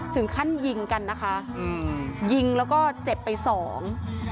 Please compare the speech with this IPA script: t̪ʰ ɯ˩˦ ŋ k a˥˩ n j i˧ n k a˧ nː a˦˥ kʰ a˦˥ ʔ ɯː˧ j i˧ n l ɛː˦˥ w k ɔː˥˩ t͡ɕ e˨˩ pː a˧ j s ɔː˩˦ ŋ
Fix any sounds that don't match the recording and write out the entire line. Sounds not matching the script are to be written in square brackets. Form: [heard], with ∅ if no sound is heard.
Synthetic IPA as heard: t̪ʰ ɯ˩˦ ŋ [kʰ] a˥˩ n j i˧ [ŋ] k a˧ nː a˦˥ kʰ a˦˥ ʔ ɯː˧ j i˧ [ŋ] l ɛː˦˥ w k ɔː˥˩ t͡ɕ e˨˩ pː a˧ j s ɔː˩˦ ŋ

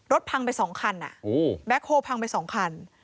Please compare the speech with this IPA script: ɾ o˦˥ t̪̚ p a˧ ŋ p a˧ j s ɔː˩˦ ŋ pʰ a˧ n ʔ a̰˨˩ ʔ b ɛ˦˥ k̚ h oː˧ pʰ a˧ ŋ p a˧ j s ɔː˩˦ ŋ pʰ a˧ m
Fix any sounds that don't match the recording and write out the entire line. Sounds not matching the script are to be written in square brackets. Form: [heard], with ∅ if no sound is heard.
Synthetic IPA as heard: ɾ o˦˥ t̪̚ [pʰ] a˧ ŋ p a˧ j s ɔː˩˦ ŋ [kʰ] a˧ n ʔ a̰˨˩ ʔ b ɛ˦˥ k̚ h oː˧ pʰ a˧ ŋ p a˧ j s ɔː˩˦ ŋ [kʰ] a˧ [n]

